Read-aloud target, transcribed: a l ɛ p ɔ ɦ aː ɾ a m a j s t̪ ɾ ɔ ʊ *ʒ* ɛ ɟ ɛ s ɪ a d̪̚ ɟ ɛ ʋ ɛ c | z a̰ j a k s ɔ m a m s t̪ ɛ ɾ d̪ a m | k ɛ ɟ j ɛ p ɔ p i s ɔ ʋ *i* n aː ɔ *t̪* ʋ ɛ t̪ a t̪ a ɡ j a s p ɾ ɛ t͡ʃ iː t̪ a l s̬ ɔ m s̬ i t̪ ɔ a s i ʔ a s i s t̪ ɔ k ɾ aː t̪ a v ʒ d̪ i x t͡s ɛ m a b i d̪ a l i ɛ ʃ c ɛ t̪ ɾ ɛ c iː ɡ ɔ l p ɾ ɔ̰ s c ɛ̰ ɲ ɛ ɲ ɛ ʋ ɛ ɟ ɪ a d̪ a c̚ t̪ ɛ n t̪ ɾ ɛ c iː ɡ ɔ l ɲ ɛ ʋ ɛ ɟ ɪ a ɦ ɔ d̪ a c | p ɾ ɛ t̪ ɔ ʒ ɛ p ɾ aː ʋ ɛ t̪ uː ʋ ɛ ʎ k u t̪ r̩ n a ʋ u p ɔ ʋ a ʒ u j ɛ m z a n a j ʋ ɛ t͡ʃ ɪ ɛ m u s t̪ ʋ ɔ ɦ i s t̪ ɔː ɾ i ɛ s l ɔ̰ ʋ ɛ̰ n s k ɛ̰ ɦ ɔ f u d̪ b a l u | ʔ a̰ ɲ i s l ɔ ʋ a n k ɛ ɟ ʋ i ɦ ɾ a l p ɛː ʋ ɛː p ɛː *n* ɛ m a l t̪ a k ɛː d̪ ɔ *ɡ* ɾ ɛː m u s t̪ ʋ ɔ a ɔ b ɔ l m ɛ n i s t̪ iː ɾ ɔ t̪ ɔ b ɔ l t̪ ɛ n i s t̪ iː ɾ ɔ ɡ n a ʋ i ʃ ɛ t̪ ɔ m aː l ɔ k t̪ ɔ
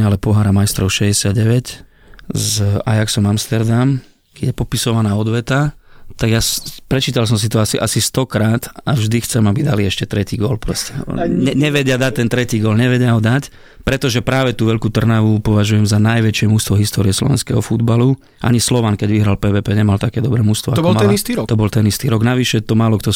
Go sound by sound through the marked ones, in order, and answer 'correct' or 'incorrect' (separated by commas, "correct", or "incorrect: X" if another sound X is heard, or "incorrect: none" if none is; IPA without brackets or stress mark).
incorrect: ʃ, incorrect: a, incorrect: d̪, incorrect: ɲ, incorrect: b